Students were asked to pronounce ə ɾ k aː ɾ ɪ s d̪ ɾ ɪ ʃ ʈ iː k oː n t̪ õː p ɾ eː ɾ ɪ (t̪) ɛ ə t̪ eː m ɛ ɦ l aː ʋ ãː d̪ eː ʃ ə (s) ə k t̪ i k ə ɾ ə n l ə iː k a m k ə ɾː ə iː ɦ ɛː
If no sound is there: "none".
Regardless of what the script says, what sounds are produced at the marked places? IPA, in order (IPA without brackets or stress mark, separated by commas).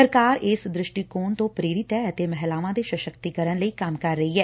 t̪, ʃ